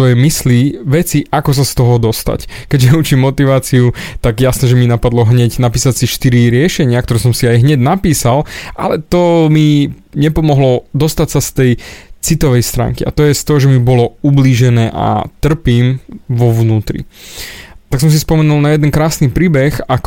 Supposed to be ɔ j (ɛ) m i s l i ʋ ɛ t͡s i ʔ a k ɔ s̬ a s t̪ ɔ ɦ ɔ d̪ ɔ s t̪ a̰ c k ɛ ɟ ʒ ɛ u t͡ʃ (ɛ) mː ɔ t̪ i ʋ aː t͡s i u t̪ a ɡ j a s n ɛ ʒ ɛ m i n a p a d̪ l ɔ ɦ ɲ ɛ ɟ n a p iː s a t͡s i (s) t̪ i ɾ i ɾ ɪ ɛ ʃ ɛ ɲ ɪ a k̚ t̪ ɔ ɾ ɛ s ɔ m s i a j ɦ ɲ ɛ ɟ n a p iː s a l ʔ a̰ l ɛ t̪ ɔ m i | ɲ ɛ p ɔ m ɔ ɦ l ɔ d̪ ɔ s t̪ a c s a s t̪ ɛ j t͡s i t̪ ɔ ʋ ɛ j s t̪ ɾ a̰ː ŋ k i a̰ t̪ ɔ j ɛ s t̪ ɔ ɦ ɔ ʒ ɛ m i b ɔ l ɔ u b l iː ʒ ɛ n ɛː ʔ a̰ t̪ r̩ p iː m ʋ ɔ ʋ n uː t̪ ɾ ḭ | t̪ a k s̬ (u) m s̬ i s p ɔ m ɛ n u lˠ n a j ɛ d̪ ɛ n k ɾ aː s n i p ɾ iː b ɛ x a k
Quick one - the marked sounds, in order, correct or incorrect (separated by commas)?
correct, incorrect, incorrect, incorrect